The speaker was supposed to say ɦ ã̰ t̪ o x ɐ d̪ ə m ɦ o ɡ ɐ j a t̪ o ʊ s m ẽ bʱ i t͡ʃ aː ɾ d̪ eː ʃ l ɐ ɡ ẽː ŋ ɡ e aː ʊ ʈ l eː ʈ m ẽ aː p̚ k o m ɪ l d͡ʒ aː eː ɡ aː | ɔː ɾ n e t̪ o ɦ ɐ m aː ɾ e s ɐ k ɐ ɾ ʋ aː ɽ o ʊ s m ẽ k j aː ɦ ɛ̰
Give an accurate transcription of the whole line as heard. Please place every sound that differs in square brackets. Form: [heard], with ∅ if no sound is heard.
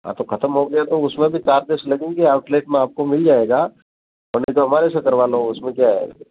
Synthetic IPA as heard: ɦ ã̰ t̪ o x ɐ [t̪] ə m ɦ o ɡ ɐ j a t̪ o ʊ s m ẽ bʱ i t͡ʃ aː ɾ d̪ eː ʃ l ɐ ɡ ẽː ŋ ɡ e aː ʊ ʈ l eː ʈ m ẽ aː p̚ k o m ɪ l d͡ʒ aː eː ɡ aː | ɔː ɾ n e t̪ o ɦ ɐ m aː ɾ e s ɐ k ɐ ɾ ʋ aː [l] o ʊ s m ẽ k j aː ɦ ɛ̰